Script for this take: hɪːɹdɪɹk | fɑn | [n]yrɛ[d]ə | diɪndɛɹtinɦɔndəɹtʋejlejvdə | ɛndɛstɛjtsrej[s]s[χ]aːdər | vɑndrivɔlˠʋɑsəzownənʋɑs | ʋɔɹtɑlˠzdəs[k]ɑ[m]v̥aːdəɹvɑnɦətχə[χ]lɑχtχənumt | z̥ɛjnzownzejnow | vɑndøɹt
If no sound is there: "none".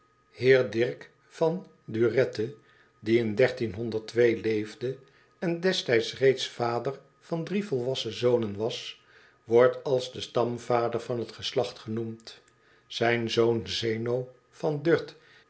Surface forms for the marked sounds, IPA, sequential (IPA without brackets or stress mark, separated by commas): d, t, t, f, t, m, s